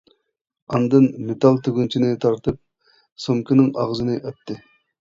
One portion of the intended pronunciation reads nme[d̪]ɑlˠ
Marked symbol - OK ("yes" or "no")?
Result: no